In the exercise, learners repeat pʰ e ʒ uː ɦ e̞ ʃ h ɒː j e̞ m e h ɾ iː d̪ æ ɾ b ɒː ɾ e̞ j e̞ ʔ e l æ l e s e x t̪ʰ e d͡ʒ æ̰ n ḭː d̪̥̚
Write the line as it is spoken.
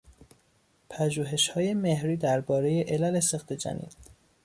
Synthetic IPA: pʰ æ ʒ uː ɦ e̞ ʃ h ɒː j e̞ m e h ɾ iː d̪ æ ɾ b ɒː ɾ e̞ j e̞ ʔ e l æ l e s e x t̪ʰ e d͡ʒ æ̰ n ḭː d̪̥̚